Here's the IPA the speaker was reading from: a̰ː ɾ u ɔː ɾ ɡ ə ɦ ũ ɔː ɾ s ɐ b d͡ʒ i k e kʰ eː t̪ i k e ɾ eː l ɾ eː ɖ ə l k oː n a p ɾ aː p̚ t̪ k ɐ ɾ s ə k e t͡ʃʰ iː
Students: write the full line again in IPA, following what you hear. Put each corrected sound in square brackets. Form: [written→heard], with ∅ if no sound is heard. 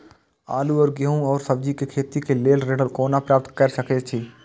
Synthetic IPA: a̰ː [ɾ→l] u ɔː ɾ ɡ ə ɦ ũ ɔː ɾ s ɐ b d͡ʒ i k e kʰ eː t̪ i k e [ɾ→l] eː l ɾ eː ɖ ə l k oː n a p ɾ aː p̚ t̪ k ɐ ɾ s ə k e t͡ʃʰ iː